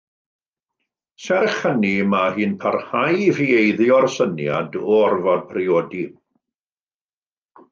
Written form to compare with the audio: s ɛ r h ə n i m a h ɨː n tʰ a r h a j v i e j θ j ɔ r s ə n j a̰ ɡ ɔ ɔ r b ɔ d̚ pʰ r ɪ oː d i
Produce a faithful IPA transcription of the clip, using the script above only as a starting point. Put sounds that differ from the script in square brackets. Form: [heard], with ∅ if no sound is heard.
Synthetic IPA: s ɛ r [χ] ə n i m a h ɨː n [pʰ] a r h a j v i e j [ð] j ɔ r s ə n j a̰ [d] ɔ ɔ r [v] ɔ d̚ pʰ r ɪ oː d i